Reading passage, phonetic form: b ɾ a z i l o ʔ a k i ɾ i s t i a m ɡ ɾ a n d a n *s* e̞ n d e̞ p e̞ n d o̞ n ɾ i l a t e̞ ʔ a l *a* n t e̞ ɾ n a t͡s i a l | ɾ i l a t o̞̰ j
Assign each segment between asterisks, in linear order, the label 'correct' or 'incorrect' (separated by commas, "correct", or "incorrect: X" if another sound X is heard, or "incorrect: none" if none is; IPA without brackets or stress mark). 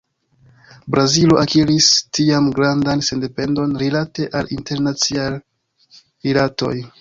correct, incorrect: i